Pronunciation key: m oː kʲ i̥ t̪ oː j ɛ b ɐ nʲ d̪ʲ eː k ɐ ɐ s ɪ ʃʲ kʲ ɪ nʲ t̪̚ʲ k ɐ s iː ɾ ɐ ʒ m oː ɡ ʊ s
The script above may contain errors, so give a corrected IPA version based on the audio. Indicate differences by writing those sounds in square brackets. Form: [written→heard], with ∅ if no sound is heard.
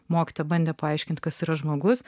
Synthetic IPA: m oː kʲ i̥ t̪ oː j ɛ b ɐ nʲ d̪ʲ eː [k→p] ɐ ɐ [s→∅] ɪ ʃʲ kʲ ɪ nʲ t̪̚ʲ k ɐ s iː ɾ ɐ ʒ m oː ɡ ʊ s